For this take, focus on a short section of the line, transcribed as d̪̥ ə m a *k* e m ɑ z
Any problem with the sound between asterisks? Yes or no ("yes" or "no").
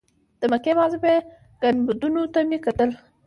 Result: no